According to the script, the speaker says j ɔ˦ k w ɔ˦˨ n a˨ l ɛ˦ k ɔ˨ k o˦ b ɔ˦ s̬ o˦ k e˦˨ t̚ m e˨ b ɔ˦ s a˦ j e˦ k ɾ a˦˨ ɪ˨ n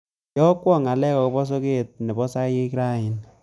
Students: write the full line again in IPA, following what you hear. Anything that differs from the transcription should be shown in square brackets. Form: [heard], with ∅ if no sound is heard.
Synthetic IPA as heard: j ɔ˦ k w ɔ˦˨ [ŋ] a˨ l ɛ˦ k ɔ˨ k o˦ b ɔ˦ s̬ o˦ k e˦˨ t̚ [n] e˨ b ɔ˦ s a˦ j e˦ k ɾ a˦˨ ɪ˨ n